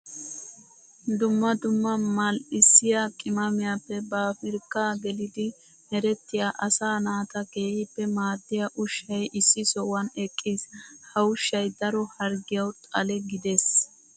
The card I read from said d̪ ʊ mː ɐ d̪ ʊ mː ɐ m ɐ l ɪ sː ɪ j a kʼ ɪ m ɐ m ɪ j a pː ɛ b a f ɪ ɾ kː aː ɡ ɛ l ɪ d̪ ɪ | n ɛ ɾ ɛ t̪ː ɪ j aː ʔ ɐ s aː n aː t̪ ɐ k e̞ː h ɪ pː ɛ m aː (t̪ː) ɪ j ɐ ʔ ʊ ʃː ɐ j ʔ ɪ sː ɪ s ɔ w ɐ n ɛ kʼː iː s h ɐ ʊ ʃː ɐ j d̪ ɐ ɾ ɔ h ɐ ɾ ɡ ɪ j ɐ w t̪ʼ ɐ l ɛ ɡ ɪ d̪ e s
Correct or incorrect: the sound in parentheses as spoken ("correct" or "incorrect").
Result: incorrect